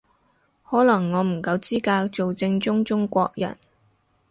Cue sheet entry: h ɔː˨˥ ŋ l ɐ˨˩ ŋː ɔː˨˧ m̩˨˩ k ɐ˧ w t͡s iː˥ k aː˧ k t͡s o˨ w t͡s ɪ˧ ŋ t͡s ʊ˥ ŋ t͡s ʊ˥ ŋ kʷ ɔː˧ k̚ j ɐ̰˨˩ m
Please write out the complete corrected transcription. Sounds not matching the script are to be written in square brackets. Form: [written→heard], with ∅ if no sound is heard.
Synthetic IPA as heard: h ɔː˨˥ [ŋ→∅] l ɐ˨˩ ŋː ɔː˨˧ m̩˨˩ k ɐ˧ w t͡s iː˥ k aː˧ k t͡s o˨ w t͡s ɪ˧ ŋ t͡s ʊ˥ ŋ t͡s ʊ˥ ŋ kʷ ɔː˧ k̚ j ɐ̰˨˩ [m→n]

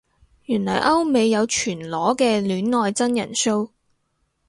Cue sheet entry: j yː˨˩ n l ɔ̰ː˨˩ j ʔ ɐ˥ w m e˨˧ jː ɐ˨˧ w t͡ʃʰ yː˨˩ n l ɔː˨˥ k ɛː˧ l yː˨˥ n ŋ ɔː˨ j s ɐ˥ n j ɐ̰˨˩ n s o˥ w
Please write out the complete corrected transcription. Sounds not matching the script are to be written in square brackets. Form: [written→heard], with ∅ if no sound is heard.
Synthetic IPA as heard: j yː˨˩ n l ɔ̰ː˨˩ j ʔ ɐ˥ w m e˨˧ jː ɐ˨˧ w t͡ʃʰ yː˨˩ n l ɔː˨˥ k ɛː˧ l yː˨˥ n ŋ ɔː˨ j [s→t͡s] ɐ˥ n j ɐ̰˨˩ n s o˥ w

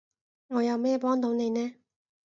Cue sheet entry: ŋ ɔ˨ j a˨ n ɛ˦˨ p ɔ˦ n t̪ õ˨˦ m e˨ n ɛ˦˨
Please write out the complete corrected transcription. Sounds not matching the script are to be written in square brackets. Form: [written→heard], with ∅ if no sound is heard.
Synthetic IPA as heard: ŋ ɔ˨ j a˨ [n→m] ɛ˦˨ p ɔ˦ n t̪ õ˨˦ [m→n] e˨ n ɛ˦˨

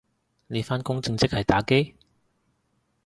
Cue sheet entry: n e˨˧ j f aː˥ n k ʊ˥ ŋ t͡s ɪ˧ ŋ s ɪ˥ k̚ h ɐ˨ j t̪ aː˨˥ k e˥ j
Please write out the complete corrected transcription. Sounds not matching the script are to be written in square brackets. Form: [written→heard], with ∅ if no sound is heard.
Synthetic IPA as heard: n e˨˧ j f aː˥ n k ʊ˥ ŋ t͡s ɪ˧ ŋ [s→t͡s] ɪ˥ k̚ h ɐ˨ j t̪ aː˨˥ k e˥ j

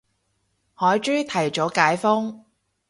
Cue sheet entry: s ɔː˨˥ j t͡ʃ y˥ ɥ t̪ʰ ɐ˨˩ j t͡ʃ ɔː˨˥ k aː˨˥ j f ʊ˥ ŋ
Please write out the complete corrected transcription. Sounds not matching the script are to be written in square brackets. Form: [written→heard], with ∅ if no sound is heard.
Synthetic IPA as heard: [s→h] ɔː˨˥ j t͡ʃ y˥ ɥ t̪ʰ ɐ˨˩ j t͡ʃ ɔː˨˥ k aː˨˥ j f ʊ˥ ŋ

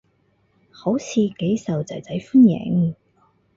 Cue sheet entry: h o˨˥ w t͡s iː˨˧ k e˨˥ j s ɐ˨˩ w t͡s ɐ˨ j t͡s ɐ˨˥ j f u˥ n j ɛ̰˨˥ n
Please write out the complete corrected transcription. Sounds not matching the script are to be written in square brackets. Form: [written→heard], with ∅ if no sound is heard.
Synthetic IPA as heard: h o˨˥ w [t͡s→t͡sʰ] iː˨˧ k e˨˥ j s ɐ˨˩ w t͡s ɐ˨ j t͡s ɐ˨˥ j f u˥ n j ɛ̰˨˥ [n→ŋ]

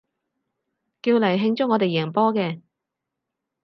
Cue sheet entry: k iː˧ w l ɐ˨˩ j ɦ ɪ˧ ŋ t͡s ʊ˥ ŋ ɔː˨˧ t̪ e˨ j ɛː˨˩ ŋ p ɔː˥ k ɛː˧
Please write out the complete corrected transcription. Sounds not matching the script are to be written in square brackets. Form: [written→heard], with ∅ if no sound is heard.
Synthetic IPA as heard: k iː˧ w l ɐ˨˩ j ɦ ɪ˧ ŋ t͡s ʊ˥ ŋ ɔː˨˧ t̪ e˨ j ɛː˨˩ ŋ p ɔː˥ k ɛː˧

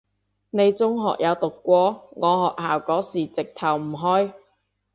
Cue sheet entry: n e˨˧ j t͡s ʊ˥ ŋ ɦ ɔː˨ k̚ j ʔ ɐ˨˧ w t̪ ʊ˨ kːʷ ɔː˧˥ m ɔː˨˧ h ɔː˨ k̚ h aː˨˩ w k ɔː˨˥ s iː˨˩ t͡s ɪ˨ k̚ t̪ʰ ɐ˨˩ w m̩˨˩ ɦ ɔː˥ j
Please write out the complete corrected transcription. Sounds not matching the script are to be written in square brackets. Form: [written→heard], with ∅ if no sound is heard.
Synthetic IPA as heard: n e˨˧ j t͡s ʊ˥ ŋ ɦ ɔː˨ k̚ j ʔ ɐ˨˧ w t̪ ʊ˨ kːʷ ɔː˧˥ [m→ŋ] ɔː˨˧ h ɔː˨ k̚ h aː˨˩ w k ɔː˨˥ s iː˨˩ t͡s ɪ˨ k̚ t̪ʰ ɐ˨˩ w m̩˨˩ ɦ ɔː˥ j

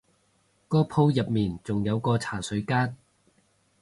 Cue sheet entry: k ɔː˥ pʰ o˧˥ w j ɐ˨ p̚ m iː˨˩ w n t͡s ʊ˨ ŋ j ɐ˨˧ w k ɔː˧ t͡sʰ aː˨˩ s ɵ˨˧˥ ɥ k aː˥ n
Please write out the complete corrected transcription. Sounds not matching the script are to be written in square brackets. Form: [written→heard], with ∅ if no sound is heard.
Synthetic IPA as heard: k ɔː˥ pʰ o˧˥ w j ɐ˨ p̚ m iː˨˩ [w→∅] n t͡s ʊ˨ ŋ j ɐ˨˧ w k ɔː˧ t͡sʰ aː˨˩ s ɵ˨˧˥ ɥ k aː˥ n

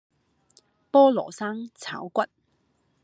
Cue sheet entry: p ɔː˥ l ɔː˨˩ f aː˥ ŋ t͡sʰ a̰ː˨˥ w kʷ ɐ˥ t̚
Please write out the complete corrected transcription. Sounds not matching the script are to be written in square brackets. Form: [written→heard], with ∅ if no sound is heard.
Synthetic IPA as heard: p ɔː˥ l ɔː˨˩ [f→s] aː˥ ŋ t͡sʰ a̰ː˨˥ w kʷ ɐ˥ t̚

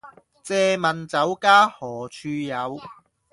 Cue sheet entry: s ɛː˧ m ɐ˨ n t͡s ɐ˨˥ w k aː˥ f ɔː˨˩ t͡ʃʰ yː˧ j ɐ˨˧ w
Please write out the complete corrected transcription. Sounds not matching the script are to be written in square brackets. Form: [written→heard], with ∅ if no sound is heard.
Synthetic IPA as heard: [s→t͡s] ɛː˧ m ɐ˨ n t͡s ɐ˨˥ w k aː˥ [f→h] ɔː˨˩ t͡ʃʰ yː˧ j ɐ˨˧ w

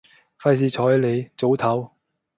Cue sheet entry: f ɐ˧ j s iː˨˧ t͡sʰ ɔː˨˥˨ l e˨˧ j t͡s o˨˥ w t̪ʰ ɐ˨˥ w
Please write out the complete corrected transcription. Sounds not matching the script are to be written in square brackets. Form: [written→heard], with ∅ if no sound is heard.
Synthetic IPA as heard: f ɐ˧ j s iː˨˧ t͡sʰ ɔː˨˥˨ l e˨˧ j t͡s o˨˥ w t̪ʰ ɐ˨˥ w

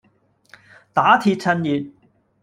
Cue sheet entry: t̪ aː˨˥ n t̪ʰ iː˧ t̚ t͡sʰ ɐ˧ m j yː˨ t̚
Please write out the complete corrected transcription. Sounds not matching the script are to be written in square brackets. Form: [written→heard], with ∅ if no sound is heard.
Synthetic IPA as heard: t̪ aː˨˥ [n→∅] t̪ʰ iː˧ t̚ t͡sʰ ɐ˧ [m→n] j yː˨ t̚

